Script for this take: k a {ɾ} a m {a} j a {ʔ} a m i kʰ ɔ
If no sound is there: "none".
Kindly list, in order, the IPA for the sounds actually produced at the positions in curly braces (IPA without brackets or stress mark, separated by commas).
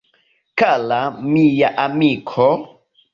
l, i, ʔ